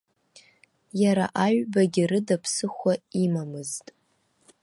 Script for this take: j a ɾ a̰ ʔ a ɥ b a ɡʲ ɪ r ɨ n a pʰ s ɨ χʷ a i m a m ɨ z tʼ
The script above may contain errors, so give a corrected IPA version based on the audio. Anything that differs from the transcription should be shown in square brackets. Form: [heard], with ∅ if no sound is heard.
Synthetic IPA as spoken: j a ɾ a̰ ʔ a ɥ b a ɡʲ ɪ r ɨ [d] a pʰ s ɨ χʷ a i m a m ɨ z tʼ